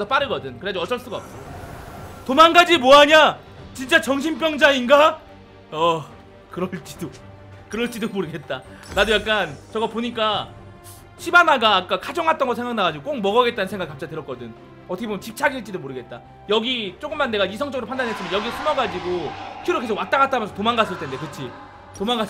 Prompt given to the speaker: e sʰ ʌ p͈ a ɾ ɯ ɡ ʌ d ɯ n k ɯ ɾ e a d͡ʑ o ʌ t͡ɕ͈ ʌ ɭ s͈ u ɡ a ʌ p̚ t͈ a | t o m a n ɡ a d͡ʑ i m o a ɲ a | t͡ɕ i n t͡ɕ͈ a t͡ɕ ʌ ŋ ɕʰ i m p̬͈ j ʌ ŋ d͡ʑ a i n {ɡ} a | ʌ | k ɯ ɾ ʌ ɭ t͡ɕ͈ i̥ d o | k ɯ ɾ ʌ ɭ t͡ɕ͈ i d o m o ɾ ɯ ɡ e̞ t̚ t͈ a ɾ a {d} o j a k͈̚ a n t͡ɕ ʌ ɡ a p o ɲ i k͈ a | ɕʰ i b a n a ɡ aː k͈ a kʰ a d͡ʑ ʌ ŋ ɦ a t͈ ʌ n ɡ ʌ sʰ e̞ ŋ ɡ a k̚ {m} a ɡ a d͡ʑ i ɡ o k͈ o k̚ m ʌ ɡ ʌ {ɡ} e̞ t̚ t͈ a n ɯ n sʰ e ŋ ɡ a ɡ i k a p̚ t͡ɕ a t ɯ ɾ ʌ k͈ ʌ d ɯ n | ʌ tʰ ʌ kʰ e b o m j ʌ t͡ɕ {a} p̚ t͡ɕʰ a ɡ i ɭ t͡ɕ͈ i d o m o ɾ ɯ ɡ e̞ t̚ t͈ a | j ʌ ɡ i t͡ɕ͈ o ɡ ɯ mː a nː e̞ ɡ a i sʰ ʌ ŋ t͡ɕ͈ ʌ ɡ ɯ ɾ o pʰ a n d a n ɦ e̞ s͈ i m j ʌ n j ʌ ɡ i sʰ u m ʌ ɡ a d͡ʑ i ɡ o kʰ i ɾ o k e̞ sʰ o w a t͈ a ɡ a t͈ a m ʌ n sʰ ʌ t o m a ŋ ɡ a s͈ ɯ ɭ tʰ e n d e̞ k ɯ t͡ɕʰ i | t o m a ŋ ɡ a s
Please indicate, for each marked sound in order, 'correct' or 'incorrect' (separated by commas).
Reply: correct, correct, incorrect, correct, incorrect